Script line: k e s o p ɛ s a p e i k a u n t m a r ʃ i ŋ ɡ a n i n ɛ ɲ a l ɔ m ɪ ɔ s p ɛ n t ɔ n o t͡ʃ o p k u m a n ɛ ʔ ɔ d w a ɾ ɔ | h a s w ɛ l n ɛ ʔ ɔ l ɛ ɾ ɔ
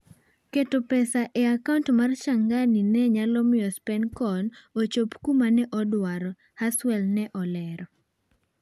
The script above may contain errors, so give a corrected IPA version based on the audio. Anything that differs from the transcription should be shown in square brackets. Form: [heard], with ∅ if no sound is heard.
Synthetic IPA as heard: k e [t] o p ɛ s a [ʔ] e [a] k a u n t m a r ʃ [a] ŋ ɡ a n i n ɛ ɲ a l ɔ m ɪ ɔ s p ɛ n [k] ɔ n o t͡ʃ o p k u m a n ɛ ʔ ɔ d w a ɾ ɔ | h a s w ɛ l n ɛ ʔ ɔ l ɛ ɾ ɔ